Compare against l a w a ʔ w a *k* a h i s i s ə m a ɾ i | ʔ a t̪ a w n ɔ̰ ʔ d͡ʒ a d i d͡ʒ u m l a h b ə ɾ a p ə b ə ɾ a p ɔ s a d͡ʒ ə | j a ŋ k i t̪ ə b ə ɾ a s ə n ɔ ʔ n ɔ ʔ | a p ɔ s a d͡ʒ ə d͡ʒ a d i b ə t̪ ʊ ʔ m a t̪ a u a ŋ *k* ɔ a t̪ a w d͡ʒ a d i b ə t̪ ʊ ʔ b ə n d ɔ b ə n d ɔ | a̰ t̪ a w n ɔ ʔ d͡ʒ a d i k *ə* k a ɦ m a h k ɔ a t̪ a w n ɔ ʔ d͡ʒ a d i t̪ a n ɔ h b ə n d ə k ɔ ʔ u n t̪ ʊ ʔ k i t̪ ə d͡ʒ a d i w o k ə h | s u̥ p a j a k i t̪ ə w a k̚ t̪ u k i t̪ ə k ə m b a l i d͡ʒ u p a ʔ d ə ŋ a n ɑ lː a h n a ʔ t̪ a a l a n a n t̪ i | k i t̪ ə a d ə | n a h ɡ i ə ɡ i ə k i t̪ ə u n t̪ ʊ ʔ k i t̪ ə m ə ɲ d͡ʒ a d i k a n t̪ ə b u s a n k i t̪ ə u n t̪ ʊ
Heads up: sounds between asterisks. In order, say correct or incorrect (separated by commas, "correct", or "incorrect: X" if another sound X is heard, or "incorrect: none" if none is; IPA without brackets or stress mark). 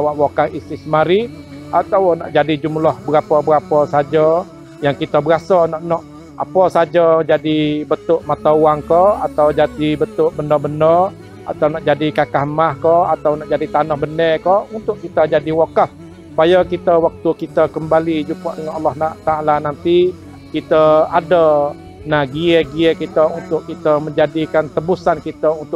correct, correct, incorrect: a